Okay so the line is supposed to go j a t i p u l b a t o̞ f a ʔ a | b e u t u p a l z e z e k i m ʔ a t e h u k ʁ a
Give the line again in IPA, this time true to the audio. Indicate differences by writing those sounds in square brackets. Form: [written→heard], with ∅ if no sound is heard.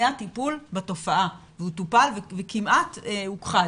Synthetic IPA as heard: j a t i p u l b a t o̞ f a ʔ a | [b→v] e u t u p a l [z→v] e [z→v] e k i m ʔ a t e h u k [ʁ→χ] a